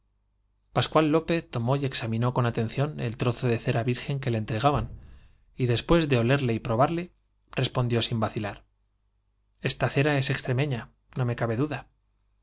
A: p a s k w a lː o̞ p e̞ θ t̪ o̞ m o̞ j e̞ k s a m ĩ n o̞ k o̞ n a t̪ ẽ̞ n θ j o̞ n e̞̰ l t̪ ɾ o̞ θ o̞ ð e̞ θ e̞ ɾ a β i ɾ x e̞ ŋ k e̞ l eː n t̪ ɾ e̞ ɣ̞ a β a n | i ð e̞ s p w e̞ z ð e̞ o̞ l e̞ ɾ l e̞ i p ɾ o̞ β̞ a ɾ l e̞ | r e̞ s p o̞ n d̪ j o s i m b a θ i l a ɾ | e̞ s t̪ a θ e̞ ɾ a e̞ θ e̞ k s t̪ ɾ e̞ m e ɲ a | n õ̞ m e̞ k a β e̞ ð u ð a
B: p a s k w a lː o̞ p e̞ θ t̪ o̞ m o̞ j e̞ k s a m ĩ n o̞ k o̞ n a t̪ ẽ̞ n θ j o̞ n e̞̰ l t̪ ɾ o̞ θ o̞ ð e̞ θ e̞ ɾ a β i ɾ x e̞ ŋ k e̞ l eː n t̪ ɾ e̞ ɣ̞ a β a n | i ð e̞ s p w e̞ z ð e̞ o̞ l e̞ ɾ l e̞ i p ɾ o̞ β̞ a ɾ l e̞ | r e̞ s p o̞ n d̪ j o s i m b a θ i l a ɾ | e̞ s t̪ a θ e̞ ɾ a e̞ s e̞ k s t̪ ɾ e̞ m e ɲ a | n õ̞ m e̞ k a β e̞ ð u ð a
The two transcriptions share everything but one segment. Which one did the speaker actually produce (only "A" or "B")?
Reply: B